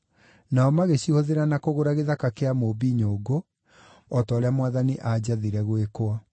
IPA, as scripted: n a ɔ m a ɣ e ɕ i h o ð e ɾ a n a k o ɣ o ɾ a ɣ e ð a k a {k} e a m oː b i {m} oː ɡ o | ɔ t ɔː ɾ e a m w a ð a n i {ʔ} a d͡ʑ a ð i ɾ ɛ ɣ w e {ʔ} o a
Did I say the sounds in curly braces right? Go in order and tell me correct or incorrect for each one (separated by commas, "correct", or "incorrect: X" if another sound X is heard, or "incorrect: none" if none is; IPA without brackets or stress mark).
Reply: correct, incorrect: ɲ, correct, incorrect: k